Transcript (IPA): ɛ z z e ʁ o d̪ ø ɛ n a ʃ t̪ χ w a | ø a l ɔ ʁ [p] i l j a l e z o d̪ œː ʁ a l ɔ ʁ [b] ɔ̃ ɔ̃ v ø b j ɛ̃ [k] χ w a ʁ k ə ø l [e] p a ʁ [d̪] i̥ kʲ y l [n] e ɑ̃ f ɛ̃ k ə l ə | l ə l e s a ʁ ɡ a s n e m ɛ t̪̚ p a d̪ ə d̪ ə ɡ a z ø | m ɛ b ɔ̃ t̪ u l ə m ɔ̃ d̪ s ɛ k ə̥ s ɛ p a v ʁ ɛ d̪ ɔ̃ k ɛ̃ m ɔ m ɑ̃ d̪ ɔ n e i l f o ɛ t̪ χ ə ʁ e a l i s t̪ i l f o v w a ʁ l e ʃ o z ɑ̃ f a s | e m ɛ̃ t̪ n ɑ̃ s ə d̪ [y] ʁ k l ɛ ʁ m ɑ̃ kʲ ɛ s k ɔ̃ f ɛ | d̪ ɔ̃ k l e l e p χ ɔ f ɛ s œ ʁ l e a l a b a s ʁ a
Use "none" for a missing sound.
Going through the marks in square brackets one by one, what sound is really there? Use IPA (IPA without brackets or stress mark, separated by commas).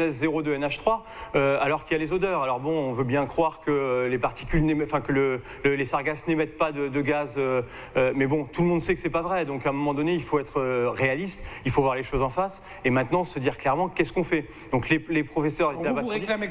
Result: k, b, k, e, t̪, n, i